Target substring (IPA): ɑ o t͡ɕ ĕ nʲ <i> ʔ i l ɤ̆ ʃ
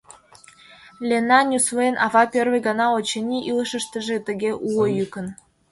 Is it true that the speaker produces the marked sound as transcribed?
yes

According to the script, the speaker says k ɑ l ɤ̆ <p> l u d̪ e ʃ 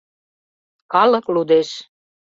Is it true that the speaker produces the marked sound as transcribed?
no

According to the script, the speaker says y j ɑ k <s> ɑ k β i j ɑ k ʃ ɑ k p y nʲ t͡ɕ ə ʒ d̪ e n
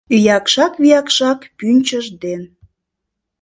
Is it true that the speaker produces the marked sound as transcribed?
no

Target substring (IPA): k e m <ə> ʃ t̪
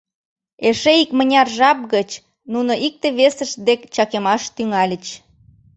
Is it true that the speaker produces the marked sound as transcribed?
no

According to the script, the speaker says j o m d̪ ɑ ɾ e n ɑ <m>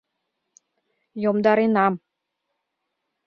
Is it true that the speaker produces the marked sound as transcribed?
yes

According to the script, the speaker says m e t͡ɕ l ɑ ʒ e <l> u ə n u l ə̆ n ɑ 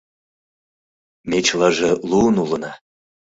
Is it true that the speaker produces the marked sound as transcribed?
yes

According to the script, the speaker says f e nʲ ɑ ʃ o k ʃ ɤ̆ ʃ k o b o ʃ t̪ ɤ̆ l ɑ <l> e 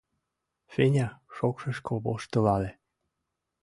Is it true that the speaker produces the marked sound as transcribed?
yes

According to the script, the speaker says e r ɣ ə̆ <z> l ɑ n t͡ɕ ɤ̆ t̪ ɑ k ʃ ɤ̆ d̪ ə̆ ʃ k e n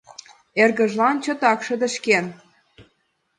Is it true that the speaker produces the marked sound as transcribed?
no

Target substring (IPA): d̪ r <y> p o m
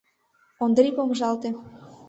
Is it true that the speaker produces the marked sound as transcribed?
no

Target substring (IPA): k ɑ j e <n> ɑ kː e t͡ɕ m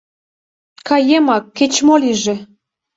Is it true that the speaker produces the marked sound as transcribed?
no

